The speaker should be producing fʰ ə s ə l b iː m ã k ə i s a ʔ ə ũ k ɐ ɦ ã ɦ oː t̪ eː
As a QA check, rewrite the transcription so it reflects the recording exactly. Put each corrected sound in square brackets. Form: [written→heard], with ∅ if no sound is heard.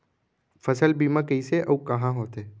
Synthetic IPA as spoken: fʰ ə s ə l b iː m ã k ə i s [a→e] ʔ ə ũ k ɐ ɦ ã ɦ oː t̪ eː